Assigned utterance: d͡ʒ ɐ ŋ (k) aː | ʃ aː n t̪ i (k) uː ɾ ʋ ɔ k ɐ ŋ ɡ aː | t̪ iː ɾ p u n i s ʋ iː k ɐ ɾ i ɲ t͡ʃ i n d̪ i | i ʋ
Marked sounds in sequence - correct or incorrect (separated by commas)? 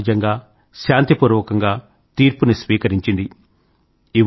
incorrect, incorrect